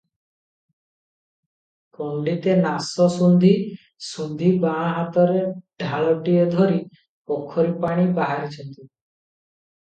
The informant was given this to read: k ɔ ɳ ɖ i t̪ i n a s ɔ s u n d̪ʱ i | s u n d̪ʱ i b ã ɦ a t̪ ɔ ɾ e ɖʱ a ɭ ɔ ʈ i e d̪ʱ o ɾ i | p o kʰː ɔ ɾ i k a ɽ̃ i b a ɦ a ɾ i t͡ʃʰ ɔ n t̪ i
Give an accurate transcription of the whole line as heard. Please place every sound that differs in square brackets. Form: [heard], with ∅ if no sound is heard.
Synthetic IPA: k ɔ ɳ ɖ i t̪ [e] n a s ɔ s u n d̪ʱ i | s u n d̪ʱ i b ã ɦ a t̪ ɔ ɾ e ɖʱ a ɭ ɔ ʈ i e d̪ʱ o ɾ i | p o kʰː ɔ ɾ i [p] a ɽ̃ i b a ɦ a ɾ i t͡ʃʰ ɔ n t̪ i